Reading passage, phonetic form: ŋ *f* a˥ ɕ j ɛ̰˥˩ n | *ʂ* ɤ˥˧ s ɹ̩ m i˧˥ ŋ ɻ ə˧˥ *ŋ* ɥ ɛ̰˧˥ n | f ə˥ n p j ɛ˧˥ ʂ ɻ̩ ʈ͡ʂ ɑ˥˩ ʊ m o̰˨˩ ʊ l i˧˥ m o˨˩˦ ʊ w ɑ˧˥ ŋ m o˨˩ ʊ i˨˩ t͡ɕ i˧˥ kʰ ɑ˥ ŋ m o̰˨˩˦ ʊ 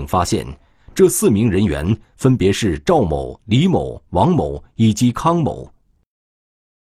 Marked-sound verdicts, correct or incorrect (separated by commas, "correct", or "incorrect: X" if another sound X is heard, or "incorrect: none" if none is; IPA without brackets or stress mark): correct, incorrect: ʈ͡ʂ, incorrect: n